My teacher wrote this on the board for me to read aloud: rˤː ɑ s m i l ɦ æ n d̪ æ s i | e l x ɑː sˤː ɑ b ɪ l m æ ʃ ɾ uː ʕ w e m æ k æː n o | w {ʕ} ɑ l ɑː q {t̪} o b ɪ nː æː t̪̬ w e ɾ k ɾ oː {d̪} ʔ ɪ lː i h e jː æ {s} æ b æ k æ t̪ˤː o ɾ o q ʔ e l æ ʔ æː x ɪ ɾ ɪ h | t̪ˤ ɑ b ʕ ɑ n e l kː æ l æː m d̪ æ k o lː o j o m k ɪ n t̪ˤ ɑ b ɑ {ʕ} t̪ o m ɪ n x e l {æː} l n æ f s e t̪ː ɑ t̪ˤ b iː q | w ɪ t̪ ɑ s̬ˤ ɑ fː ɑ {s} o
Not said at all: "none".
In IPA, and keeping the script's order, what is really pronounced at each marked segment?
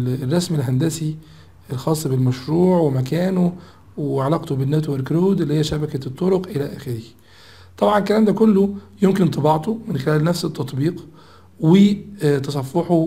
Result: ʕ, t̪, d̪, ʃ, ʕ, æː, ħ

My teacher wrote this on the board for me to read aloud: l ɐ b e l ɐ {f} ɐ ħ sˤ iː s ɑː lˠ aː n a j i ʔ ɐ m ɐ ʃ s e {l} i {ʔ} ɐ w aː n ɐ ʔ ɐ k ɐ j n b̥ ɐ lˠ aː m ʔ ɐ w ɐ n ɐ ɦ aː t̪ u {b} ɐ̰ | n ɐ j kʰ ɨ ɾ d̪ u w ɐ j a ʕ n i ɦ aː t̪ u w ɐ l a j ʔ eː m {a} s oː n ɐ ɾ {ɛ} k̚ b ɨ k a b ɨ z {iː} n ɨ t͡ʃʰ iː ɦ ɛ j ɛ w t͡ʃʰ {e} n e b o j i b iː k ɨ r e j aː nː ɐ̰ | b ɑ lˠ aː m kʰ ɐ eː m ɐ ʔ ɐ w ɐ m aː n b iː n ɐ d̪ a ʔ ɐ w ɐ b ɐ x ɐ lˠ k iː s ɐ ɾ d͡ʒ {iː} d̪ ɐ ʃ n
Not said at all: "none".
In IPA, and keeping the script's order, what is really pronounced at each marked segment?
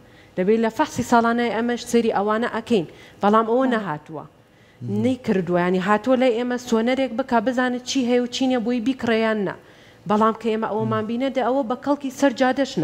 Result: f, ɾ, ʔ, w, ɐ, e, aː, i, aː

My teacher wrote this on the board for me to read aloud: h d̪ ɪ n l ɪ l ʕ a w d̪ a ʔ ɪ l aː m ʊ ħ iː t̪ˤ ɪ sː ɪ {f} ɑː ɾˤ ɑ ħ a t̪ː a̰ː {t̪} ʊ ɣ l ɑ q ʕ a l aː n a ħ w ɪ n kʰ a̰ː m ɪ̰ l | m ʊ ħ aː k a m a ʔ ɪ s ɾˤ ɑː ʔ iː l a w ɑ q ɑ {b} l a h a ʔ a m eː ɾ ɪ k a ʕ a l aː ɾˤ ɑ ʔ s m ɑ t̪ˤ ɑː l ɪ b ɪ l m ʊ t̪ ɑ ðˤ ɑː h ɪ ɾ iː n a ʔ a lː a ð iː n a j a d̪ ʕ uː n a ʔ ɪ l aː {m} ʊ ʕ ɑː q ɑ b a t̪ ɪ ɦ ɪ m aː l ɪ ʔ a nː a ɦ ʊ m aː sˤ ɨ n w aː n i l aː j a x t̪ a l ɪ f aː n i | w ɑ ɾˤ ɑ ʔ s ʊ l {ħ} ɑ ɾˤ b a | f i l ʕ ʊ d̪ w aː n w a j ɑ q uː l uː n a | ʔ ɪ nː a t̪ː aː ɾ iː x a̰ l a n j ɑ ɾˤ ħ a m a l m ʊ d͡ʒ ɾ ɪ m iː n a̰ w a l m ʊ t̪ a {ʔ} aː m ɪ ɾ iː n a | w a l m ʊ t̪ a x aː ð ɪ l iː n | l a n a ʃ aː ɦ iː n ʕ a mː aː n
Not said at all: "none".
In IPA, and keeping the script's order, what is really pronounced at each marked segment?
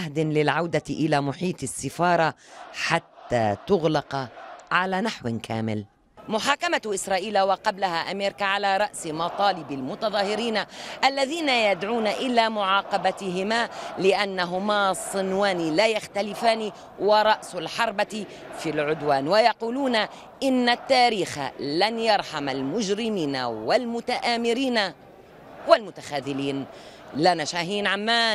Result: f, t̪, b, m, ħ, ʔ

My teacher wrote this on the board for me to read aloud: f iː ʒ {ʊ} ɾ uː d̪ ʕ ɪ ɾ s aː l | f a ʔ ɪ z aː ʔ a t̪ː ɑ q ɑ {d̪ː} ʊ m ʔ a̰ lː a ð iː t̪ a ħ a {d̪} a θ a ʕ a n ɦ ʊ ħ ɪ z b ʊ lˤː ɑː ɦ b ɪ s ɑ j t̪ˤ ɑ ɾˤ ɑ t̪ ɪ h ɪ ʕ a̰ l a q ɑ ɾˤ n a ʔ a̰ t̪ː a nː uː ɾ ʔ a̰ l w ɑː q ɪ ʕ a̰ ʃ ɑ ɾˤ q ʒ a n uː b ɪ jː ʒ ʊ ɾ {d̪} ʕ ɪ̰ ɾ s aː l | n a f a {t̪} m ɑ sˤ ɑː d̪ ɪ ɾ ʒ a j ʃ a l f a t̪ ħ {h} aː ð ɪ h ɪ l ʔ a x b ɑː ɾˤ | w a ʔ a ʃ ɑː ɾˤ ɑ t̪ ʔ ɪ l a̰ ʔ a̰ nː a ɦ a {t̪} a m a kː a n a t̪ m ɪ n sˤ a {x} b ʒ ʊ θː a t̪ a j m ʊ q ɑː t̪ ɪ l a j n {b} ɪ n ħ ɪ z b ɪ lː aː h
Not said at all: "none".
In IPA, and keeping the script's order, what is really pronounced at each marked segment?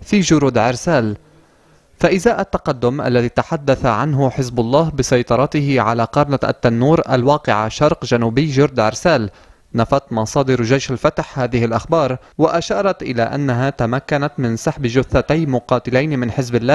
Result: ʊ, d̪ː, d̪ː, d̪, t̪, h, t̪, ħ, m

